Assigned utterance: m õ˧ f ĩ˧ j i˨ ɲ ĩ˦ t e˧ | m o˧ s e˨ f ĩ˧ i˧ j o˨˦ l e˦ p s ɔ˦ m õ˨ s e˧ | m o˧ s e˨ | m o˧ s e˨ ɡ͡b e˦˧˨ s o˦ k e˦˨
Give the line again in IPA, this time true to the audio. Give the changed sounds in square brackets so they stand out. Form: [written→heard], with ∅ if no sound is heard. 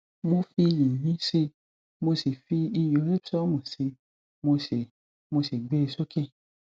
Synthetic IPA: m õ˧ f [ĩ˧→i˧] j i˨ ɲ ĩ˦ [t→s] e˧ | m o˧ s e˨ f [ĩ˧→i˧] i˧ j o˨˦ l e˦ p s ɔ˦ m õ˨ s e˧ | m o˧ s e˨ | m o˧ s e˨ ɡ͡b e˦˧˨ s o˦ k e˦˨

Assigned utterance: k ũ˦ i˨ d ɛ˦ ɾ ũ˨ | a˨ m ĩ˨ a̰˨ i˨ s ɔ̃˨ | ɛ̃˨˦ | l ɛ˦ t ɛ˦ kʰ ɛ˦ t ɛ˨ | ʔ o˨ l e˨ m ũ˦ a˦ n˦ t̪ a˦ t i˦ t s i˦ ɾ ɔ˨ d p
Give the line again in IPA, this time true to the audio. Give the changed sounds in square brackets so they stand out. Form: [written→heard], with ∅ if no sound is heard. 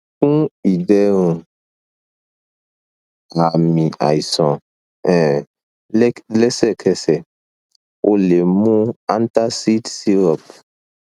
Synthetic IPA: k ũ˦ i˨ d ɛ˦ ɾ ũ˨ | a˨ m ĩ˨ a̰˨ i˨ s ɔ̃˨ | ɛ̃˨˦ | l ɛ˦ [t→s] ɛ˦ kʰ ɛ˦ [t→s] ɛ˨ | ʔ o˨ l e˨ m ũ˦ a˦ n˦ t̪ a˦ [t→s] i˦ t s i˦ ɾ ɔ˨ [d→∅] p

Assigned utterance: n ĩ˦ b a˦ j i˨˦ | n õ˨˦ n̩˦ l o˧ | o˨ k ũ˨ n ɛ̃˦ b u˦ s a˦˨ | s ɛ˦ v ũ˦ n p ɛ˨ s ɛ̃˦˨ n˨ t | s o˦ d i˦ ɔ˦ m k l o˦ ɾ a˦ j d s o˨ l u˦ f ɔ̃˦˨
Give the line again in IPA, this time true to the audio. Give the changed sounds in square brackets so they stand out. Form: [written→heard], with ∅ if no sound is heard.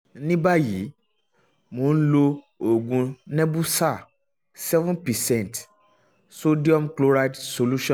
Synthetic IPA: n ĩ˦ b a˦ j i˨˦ | [n→m] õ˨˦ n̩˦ l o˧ | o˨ [k→ɡ] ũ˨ n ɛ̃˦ b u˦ s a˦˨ | s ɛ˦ v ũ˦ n p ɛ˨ s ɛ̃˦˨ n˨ t | s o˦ d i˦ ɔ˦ m k l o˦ ɾ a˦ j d s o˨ l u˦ [f→ʃ] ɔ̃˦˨

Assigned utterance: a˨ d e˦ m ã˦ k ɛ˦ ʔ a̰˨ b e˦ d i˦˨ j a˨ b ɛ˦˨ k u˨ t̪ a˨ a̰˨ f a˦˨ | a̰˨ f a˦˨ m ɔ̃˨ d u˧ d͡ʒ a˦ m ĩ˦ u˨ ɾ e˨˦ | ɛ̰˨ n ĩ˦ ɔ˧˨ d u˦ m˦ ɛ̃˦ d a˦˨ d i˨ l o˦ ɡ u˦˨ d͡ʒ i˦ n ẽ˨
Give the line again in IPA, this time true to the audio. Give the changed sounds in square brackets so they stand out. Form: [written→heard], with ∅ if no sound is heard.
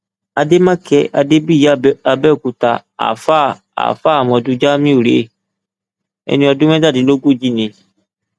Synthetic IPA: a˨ d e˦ m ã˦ k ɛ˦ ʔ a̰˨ [b→d] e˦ [d→b] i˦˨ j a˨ b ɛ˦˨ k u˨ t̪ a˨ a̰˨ f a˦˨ | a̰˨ f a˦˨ m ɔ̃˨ d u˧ d͡ʒ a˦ m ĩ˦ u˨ ɾ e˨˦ | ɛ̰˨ n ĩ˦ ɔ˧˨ d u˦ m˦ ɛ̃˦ d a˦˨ d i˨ l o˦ ɡ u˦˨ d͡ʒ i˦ n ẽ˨

